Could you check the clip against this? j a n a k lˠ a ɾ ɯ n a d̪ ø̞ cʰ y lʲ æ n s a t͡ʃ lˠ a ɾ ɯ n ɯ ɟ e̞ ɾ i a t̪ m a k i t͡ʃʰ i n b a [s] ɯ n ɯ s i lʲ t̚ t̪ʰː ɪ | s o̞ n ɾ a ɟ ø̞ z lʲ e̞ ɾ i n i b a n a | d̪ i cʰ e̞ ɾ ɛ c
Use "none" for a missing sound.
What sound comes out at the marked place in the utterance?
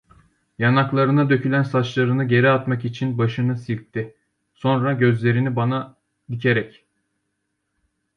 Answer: ʃ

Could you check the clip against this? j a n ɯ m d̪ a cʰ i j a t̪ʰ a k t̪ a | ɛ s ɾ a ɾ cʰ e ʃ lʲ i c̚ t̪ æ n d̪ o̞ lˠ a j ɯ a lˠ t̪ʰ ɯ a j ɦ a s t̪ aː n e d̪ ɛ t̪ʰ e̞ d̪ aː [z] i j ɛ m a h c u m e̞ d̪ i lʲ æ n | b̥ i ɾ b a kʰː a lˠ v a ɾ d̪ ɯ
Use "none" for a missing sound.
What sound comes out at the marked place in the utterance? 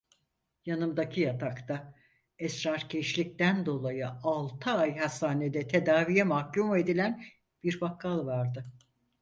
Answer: v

